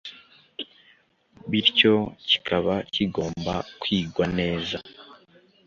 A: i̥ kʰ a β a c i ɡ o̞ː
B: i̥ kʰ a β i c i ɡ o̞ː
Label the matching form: A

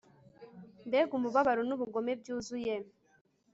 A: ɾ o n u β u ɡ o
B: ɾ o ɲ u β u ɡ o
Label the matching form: A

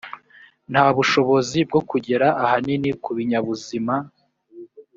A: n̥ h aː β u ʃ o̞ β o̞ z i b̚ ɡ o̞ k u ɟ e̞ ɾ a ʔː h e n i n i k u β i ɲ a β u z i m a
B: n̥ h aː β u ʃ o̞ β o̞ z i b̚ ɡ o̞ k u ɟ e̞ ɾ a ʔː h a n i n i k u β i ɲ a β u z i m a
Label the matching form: B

